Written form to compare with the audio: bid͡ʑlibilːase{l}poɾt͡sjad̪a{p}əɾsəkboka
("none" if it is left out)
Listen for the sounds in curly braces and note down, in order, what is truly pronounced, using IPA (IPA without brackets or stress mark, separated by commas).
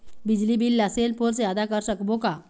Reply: l, k